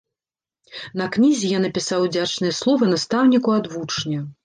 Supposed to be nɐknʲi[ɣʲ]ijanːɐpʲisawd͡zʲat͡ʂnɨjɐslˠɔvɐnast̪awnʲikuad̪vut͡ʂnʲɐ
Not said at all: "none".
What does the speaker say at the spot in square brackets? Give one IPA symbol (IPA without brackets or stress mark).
zʲ